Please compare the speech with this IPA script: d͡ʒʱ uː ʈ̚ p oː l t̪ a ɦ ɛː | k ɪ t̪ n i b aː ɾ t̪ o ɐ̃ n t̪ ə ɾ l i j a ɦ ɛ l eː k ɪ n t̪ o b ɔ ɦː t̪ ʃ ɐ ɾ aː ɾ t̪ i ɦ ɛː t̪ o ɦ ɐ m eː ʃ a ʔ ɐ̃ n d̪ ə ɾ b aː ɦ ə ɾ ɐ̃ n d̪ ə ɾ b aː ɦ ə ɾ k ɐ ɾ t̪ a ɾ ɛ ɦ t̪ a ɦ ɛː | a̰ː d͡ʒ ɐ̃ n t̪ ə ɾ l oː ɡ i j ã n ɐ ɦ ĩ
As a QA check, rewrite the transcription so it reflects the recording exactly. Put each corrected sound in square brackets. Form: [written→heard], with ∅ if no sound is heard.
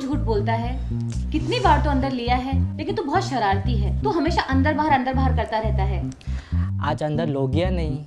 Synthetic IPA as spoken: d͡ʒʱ uː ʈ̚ [p→b] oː l t̪ a ɦ ɛː | k ɪ t̪ n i b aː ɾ t̪ o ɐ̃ n [t̪→d̪] ə ɾ l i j a ɦ ɛ l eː k ɪ n t̪ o b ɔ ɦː t̪ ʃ ɐ ɾ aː ɾ t̪ i ɦ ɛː t̪ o ɦ ɐ m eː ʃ a ʔ ɐ̃ n d̪ ə ɾ b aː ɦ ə ɾ ɐ̃ n d̪ ə ɾ b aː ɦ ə ɾ k ɐ ɾ t̪ a ɾ ɛ ɦ t̪ a ɦ ɛː | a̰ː d͡ʒ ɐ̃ n [t̪→d̪] ə ɾ l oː ɡ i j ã n ɐ ɦ ĩ

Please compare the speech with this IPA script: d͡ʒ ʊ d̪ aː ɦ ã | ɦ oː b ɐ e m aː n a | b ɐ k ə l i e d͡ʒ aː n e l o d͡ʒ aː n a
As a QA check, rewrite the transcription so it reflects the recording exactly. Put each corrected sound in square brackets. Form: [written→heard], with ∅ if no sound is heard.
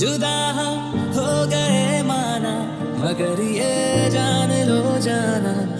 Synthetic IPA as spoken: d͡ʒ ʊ d̪ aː ɦ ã | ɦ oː [b→ɡ] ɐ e m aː n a | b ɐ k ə [l→ɾ] i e d͡ʒ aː n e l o d͡ʒ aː n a

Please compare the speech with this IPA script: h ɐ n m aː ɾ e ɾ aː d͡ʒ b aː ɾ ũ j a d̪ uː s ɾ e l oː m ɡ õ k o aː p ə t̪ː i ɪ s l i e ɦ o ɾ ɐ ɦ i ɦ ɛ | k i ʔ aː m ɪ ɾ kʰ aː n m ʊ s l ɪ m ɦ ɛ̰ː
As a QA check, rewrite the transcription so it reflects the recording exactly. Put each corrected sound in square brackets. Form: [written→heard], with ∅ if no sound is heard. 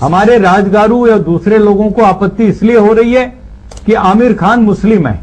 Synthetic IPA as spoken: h ɐ [n→∅] m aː ɾ e ɾ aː d͡ʒ [b→ɡ] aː ɾ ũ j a d̪ uː s ɾ e l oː [m→∅] ɡ õ k o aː p ə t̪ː i ɪ s l i e ɦ o ɾ ɐ ɦ i ɦ ɛ | k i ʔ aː m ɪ ɾ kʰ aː n m ʊ s l ɪ m ɦ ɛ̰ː

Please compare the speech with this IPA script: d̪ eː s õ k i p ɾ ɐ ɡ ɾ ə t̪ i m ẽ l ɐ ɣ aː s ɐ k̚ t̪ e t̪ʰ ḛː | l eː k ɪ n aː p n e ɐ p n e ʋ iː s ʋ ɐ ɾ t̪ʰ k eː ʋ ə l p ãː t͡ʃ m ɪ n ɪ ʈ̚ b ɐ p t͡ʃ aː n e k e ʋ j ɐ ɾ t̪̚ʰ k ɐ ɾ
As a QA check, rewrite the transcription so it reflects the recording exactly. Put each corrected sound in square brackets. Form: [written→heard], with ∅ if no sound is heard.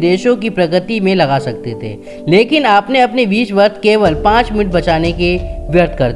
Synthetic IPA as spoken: d̪ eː [s→ʃ] õ k i p ɾ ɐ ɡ ɾ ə t̪ i m ẽ l ɐ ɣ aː s ɐ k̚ t̪ e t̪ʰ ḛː | l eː k ɪ n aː p n e ɐ p n e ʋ iː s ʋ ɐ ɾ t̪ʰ k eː ʋ ə l p ãː t͡ʃ m ɪ n ɪ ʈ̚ b ɐ [p→∅] t͡ʃ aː n e k e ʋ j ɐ ɾ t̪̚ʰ k ɐ ɾ

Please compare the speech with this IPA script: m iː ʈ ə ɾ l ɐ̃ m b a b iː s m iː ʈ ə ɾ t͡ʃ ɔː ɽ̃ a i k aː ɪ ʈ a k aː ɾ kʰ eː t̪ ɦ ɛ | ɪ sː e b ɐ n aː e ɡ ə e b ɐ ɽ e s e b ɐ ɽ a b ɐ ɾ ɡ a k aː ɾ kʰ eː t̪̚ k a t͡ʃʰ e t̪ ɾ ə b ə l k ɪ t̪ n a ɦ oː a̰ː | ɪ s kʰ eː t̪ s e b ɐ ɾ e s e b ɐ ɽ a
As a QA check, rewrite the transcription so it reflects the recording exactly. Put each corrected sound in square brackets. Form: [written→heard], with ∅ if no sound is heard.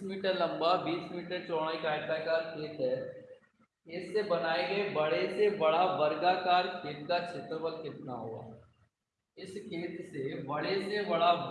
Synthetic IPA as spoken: m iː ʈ ə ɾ l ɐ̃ m b a b iː s m iː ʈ ə ɾ t͡ʃ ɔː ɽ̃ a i k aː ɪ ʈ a k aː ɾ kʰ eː t̪ ɦ ɛ | ɪ sː e b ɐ n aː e ɡ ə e b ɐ ɽ e s e b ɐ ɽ a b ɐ ɾ ɡ a k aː ɾ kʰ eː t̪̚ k a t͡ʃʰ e t̪ ɾ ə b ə l k ɪ t̪ n a ɦ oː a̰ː | ɪ s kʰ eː t̪ s e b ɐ [ɾ→ɽ] e s e b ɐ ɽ a

